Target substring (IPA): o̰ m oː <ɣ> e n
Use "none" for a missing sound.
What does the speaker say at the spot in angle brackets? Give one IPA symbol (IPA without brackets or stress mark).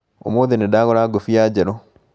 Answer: ð